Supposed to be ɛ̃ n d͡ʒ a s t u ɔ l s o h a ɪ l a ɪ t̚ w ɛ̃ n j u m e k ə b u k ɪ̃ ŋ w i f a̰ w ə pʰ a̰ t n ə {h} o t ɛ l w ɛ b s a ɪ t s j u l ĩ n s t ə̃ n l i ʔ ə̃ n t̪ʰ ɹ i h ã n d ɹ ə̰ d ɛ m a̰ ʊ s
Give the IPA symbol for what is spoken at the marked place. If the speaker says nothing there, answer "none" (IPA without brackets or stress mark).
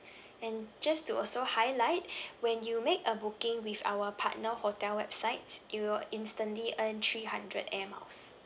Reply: h